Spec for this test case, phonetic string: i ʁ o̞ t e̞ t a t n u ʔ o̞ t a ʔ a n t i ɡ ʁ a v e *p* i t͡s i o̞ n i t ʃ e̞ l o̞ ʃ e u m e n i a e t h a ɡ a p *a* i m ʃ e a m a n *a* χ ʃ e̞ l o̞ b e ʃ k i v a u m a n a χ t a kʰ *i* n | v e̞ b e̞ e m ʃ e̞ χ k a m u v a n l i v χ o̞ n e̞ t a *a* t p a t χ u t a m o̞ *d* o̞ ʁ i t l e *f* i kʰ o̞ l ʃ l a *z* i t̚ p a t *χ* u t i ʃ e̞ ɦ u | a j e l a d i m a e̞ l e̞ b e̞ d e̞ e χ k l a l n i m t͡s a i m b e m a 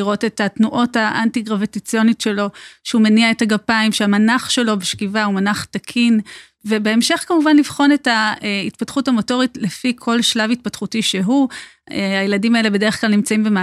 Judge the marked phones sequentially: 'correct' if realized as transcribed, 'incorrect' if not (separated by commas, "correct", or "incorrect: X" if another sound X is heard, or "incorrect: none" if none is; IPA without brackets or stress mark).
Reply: incorrect: t, correct, correct, correct, incorrect: i, incorrect: t, correct, incorrect: v, correct